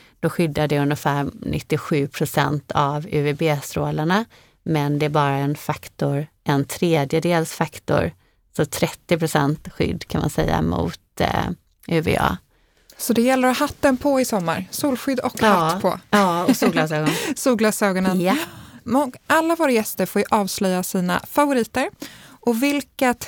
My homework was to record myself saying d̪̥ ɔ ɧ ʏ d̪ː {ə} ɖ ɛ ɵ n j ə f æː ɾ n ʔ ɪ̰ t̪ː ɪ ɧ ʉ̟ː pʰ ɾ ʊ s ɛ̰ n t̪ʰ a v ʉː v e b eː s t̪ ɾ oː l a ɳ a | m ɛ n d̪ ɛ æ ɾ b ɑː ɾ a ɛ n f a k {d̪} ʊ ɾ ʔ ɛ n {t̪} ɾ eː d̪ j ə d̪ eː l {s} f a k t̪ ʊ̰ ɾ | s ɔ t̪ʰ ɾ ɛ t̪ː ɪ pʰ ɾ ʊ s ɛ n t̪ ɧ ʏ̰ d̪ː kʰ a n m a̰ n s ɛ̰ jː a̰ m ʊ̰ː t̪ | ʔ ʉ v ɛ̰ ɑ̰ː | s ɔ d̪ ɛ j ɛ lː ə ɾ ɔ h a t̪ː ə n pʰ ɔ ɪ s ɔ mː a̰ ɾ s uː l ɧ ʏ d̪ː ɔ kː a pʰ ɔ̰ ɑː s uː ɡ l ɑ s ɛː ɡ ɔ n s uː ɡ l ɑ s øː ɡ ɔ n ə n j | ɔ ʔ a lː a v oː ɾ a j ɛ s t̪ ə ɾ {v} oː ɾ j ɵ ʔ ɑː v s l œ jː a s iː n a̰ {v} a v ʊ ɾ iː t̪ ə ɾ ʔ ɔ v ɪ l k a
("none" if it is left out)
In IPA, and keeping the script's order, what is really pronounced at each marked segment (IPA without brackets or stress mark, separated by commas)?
a, t̪, t̪ʰ, s, f, f